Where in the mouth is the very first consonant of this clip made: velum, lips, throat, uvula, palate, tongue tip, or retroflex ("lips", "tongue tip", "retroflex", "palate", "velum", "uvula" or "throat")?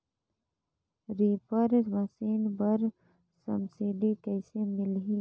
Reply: tongue tip